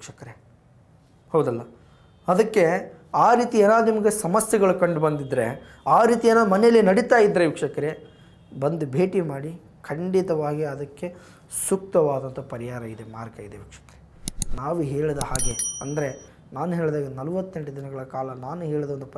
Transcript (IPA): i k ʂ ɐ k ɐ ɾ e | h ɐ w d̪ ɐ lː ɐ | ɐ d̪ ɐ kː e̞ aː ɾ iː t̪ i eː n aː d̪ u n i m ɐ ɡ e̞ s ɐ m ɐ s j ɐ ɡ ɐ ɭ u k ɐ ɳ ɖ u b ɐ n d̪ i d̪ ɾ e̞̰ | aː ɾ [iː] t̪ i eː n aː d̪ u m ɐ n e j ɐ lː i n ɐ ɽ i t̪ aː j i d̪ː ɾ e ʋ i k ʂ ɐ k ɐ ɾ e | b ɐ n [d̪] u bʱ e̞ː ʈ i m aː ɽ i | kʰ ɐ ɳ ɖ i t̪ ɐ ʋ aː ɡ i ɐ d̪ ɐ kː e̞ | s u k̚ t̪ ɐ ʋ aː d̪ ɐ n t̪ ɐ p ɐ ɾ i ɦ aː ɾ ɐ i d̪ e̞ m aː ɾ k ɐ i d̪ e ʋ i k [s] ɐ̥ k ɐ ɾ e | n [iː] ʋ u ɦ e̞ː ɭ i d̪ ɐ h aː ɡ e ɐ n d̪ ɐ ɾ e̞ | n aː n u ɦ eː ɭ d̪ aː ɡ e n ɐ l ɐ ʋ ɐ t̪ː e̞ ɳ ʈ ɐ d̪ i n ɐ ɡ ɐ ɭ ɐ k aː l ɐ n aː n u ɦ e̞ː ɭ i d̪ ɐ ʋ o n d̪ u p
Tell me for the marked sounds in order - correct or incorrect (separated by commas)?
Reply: correct, correct, incorrect, incorrect